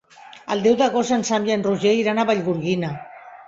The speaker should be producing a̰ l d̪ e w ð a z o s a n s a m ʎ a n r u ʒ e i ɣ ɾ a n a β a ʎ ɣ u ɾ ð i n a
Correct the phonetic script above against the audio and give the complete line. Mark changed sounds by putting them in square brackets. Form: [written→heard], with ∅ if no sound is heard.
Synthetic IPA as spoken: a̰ l d̪ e w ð a [z→ɣ] o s a n s a m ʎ a n r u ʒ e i [ɣ→∅] ɾ a n a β a ʎ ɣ u ɾ [ð→ɣ] i n a